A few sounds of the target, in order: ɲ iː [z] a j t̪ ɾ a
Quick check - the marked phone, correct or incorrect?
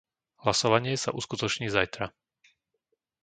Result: correct